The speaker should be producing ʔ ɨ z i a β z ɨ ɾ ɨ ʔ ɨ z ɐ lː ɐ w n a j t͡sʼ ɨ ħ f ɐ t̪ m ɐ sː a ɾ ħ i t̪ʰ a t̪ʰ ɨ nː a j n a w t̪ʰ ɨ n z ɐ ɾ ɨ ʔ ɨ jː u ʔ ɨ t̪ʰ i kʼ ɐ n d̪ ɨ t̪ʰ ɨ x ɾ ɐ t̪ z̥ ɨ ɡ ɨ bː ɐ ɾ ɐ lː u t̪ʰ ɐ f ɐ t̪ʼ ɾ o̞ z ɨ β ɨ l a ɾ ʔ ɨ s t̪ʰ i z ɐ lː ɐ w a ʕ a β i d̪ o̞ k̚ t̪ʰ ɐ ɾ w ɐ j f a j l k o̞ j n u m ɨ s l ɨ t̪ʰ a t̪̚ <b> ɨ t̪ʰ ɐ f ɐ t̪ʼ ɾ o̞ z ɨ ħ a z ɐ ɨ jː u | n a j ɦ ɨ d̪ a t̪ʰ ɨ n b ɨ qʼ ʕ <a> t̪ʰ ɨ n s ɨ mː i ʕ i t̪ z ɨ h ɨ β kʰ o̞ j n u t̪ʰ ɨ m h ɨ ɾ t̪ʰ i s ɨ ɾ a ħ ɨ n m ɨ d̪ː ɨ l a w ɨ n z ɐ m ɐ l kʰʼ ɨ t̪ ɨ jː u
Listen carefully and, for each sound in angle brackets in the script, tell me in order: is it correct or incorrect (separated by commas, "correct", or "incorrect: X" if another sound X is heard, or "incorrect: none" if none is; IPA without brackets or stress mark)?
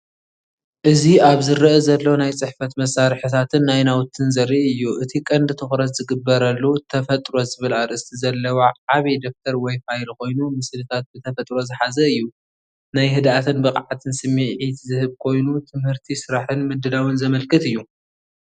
correct, correct